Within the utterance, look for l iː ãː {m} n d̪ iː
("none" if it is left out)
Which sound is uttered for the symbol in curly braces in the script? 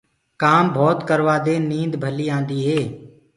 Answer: none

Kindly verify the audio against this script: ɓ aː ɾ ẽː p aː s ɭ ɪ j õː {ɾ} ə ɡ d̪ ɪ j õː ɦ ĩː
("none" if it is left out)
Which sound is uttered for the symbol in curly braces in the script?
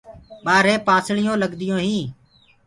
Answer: l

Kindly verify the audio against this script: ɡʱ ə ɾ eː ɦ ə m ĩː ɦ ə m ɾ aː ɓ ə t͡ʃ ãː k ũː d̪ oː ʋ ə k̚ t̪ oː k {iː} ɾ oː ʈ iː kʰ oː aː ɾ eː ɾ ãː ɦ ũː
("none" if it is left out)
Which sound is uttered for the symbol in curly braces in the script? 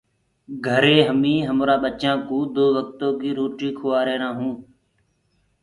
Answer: iː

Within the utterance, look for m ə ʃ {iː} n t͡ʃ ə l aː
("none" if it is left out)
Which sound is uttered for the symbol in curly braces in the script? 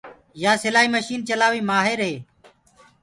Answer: iː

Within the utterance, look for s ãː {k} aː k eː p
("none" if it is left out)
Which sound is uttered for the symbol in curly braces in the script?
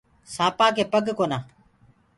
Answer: p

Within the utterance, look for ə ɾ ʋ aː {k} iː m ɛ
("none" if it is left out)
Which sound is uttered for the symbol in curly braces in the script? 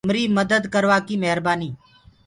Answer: k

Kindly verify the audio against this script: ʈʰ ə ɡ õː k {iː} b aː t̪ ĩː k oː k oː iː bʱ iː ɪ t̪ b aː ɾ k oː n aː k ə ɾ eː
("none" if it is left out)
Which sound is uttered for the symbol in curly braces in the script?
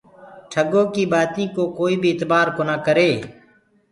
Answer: iː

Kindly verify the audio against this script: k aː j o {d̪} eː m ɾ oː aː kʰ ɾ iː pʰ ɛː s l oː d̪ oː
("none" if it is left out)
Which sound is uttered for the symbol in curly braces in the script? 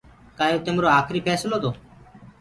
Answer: t̪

